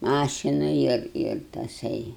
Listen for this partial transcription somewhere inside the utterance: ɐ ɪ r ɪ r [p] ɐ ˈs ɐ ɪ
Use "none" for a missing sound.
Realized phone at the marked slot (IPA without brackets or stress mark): t